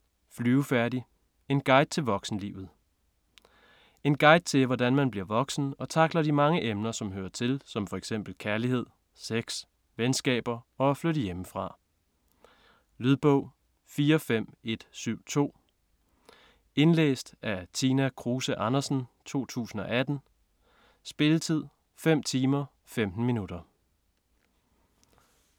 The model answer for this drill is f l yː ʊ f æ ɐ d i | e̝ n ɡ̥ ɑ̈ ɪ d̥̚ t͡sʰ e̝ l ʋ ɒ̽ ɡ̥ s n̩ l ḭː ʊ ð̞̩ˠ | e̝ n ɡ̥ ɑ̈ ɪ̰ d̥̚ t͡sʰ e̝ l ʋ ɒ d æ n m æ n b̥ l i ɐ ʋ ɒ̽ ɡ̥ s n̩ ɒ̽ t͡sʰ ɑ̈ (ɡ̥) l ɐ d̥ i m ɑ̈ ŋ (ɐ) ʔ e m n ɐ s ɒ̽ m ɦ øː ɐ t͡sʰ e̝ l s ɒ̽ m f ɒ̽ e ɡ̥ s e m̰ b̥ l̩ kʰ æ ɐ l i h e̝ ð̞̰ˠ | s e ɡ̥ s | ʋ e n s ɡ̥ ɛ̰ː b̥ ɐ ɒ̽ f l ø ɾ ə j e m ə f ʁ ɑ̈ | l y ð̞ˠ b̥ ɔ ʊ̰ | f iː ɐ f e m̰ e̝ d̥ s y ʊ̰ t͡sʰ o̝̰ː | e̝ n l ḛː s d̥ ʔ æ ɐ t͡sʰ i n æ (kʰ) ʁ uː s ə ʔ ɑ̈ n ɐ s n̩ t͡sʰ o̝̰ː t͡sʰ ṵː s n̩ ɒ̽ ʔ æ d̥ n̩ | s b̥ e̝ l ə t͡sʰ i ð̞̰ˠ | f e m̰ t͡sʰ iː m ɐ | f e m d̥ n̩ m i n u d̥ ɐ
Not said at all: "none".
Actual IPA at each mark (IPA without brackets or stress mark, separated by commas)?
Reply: ɡ̥, ə, kʰ